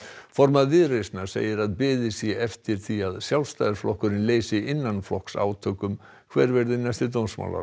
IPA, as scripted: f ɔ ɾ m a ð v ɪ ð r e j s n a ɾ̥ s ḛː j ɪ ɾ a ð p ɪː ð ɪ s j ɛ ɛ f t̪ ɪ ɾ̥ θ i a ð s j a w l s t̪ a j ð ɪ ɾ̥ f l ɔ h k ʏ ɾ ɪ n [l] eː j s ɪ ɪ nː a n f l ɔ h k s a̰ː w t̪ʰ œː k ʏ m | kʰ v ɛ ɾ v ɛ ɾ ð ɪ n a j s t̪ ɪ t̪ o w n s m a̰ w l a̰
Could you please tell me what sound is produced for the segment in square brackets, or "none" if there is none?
l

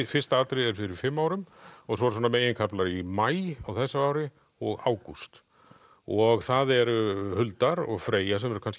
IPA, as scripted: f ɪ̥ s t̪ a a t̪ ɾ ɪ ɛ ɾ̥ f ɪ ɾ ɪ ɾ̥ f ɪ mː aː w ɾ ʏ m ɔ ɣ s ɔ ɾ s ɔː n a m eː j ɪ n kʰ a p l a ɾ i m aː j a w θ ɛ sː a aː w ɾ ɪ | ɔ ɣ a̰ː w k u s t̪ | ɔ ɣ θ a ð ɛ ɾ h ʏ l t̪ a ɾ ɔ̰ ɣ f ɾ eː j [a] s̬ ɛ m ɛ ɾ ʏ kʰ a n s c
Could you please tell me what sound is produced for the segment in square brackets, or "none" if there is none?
a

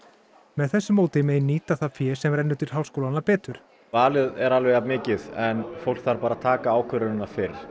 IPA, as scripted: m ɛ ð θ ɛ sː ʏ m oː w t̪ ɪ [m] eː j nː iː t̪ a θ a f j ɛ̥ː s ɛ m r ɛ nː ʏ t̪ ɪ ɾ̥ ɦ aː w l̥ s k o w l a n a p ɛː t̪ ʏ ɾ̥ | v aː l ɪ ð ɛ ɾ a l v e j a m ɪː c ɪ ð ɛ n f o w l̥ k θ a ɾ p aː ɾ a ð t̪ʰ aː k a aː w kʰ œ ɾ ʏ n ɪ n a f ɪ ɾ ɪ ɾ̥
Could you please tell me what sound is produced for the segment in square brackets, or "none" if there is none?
m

